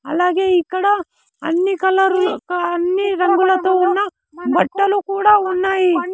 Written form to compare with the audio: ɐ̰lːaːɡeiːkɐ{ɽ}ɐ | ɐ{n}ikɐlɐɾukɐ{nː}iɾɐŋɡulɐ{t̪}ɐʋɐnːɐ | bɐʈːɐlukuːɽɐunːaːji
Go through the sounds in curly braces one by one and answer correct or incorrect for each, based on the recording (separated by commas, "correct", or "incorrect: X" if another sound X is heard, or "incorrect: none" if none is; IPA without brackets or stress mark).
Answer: correct, incorrect: nː, correct, correct